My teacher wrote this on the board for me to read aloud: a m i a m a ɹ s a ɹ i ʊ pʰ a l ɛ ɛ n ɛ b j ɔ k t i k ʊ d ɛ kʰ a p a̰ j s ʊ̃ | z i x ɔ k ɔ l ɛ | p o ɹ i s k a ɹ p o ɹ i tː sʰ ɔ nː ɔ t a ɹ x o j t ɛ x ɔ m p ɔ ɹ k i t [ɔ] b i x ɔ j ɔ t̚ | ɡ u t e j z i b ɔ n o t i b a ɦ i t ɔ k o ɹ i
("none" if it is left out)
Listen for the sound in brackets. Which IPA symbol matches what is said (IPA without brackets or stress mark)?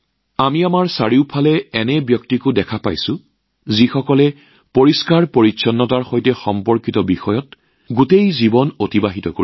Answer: ɔ